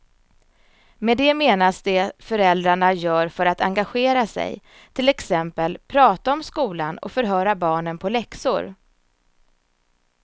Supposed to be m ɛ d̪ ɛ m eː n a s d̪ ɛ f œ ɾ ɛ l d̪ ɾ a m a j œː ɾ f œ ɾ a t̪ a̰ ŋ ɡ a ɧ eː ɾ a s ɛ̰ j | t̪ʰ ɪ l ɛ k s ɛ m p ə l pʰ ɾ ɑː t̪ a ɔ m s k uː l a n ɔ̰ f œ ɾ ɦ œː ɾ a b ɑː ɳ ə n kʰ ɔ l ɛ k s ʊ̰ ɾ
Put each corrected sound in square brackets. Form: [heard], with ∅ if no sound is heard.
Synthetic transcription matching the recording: m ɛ d̪ ɛ m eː n a s d̪ ɛ f œ ɾ ɛ l d̪ ɾ a [ɳ] a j œː ɾ f œ ɾ a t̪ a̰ ŋ ɡ a ɧ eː ɾ a s ɛ̰ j | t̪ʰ ɪ l ɛ k s ɛ m p ə l pʰ ɾ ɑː t̪ a ɔ m s k uː l a n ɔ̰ f œ ɾ ɦ œː ɾ a b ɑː ɳ ə n [pʰ] ɔ l ɛ k s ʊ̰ ɾ